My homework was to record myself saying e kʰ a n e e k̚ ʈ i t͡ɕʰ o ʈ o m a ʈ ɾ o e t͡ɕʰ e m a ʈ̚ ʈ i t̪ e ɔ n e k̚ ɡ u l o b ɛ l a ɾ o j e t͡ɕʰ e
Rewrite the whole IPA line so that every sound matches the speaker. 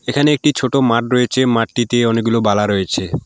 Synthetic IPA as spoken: e kʰ a n e e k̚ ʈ i t͡ɕʰ o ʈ o m a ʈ ɾ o e t͡ɕʰ e m a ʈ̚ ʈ i t̪ e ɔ n e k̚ ɡ u l o b a l a ɾ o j e t͡ɕʰ e

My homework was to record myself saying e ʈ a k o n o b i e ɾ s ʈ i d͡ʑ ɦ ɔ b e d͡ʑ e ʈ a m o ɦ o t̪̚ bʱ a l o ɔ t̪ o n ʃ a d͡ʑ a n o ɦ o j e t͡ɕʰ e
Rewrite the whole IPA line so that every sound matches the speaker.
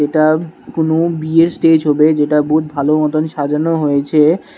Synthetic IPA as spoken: e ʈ a k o n o b i e ɾ s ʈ e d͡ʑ ɦ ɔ b e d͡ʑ e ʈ a b o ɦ u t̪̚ bʱ a l o ɔ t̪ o n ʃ a d͡ʑ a n o ɦ o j e t͡ɕʰ e

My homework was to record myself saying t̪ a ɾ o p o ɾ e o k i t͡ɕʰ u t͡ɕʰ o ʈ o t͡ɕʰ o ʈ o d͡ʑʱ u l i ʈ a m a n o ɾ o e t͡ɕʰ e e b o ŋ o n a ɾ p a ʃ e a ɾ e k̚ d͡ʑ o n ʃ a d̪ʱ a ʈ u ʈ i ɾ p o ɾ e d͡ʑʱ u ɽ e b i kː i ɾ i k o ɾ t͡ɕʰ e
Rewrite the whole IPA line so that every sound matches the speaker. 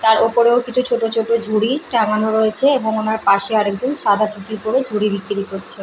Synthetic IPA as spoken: t̪ a ɾ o p o ɾ e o k i t͡ɕʰ u t͡ɕʰ o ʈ o t͡ɕʰ o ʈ o d͡ʑʱ u ɽ i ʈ a ŋ a n o ɾ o e t͡ɕʰ e e b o ŋ o n a ɾ p a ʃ e a ɾ e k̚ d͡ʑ o n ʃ a d̪ʱ a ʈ u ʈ i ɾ p o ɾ e d͡ʑʱ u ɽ i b i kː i ɾ i k o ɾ t͡ɕʰ e

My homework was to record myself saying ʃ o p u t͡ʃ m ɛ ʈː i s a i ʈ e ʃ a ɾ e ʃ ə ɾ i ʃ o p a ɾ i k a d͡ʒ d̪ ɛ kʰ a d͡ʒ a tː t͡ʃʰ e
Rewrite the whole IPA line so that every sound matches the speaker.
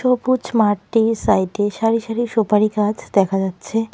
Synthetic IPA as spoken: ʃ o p u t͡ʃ m a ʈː i s a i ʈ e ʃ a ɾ i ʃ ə ɾ i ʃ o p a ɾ i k a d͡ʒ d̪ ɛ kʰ a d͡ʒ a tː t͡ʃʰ e

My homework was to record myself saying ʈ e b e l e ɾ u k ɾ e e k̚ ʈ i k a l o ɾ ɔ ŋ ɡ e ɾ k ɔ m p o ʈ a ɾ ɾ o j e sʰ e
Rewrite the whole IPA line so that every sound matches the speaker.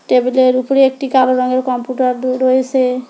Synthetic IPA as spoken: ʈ e b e l e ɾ u p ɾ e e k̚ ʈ i k a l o ɾ ɔ ŋ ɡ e ɾ k ɔ m p u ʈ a ɾ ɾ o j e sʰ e

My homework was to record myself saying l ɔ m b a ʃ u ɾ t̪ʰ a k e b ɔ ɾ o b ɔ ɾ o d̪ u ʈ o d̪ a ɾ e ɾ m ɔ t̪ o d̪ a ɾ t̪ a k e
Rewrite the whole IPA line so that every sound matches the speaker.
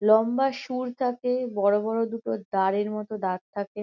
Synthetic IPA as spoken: l ɔ m b a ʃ u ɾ t̪ʰ a k e b ɔ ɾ o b ɔ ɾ o d̪ u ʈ o d̪ a ɾ e ɾ m ɔ t̪ o d̪ a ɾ t̪ʰ a k e

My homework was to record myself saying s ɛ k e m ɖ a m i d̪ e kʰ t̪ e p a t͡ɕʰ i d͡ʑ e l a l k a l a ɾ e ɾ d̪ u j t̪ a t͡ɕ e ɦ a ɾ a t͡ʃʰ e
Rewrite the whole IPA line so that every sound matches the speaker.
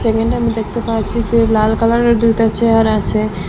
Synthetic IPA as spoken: s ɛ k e ɳ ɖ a m i d̪ e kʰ t̪ e p a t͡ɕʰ i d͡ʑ e l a l k a l a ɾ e ɾ d̪ u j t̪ a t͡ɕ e ɦ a ɾ a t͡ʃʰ e

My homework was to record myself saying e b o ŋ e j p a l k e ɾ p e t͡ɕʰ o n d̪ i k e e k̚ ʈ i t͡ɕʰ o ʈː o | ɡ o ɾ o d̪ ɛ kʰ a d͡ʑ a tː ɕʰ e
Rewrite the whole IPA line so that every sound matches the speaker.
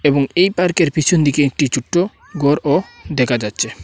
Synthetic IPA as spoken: e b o ŋ e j p a ɾ k e ɾ p i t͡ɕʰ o n d̪ i k e e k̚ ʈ i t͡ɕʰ u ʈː o | ɡ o ɾ o d̪ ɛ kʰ a d͡ʑ a tː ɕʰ e

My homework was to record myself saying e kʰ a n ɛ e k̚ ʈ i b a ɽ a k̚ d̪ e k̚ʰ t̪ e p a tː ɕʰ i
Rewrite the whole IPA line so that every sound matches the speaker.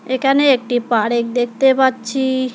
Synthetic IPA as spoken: e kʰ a n e e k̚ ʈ i p a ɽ e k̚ d̪ e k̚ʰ t̪ e p a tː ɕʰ i

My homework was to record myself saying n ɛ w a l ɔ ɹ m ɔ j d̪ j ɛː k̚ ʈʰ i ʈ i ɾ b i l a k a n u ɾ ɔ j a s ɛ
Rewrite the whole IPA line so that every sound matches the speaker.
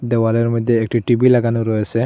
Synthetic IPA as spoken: d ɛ w a l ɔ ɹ m ɔ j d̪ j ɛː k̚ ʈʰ i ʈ i b i l a ɡ a n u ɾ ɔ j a s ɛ

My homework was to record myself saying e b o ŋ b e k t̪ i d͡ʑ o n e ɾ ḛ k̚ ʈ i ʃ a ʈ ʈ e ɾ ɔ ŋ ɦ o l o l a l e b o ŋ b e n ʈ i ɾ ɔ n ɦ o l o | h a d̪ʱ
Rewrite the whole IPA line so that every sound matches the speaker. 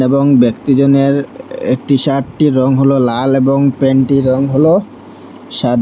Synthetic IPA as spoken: e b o ŋ b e k t̪ i d͡ʑ o n e ɾ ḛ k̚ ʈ i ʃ a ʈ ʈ i ɾ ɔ ŋ ɦ o l o l a l e b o ŋ p e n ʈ i ɾ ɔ ŋ ɦ o l o | ʃ a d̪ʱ

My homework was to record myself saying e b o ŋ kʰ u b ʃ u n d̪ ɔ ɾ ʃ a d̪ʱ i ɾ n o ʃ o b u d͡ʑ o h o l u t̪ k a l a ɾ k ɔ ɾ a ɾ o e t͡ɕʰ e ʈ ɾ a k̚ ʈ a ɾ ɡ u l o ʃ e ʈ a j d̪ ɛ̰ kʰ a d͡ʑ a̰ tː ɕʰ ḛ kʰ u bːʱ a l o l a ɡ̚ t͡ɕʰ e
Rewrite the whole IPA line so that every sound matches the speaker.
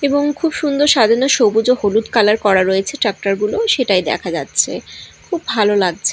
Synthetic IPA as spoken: e b o ŋ kʰ u b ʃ u n d̪ o ɾ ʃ a d̪ʱ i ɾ n o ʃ o b u d͡ʑ o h o l u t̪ k a l a ɾ k ɔ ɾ a ɾ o e t͡ɕʰ e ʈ ɾ a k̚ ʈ a ɾ ɡ u l o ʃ e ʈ a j d̪ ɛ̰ kʰ a d͡ʑ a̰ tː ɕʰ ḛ kʰ u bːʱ a l o l a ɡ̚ t͡ɕʰ e

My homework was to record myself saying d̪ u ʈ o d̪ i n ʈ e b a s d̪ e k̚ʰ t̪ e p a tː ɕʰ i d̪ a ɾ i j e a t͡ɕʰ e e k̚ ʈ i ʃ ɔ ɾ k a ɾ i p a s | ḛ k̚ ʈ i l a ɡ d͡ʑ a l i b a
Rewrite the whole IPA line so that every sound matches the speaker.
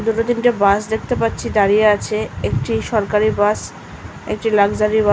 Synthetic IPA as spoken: d̪ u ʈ o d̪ i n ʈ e b a s d̪ e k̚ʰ t̪ e p a tː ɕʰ i d̪ a ɾ i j e a t͡ɕʰ e e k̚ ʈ i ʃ ɔ ɾ k a ɾ i b a s | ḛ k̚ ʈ i l a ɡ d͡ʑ a ɾ i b a

